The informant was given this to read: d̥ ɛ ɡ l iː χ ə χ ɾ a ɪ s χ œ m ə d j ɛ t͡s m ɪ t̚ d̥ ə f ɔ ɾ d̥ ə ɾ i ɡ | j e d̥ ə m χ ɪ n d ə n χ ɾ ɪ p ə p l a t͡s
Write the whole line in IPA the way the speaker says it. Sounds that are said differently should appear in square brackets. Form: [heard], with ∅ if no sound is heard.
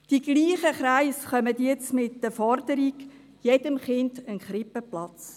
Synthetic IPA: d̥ [i] ɡ l iː χ ə χ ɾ a ɪ s χ œ m ə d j ɛ t͡s m ɪ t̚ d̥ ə f ɔ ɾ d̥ ə ɾ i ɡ | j e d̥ ə m χ ɪ n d ə n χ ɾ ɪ p ə p l [ɑ] t͡s